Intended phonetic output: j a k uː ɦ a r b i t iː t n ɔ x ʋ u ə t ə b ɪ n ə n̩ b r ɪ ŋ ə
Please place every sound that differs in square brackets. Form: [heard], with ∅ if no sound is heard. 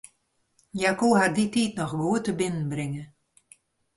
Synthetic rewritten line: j a k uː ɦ a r [d] i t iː t n ɔ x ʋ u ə t ə b ɪ n ə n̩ b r ɪ ŋ ə